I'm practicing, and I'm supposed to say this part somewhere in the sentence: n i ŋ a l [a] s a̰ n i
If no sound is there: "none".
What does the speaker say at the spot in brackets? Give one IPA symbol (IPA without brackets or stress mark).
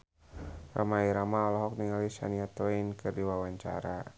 i